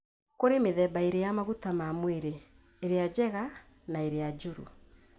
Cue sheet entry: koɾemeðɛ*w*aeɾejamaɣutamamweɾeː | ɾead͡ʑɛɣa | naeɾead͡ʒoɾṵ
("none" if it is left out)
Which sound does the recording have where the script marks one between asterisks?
b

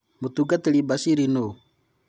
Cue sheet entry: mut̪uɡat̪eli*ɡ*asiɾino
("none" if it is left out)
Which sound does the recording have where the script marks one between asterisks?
b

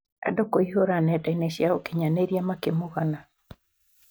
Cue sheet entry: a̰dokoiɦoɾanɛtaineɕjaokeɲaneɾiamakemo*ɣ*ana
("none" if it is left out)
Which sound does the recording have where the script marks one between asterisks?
ɣ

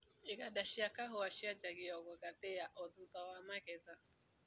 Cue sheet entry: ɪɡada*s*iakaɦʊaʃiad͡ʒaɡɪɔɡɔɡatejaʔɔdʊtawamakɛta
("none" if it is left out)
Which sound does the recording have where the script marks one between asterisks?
ʃ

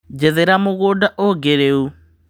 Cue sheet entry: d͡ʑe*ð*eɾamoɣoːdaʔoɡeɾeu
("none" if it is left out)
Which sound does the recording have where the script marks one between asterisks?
ð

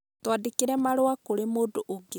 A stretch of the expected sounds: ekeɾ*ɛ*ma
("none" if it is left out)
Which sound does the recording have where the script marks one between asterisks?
ɛ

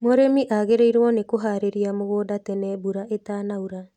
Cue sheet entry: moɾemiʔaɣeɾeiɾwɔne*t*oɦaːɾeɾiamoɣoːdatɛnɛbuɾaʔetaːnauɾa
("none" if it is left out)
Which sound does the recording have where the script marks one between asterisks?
k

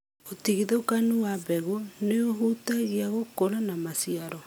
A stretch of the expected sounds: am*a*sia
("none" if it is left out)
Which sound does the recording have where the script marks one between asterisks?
a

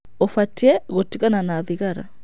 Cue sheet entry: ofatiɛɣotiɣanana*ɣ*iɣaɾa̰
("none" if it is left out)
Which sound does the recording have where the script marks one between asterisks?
ð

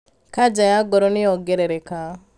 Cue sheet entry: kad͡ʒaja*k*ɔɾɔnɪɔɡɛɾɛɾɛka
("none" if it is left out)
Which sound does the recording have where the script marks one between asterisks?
ɡ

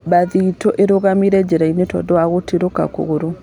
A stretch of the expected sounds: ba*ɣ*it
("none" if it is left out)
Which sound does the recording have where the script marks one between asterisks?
ð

